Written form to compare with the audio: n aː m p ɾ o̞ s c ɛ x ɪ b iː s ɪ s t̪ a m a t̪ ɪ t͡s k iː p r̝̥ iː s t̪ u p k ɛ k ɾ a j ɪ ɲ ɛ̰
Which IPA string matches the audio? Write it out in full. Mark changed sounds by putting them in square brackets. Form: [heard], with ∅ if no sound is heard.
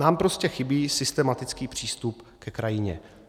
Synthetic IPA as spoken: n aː m p ɾ o̞ s c ɛ x ɪ b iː s ɪ s t̪ [ɛ] m a t̪ ɪ t͡s k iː p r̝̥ iː s t̪ u p k ɛ k ɾ a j ɪ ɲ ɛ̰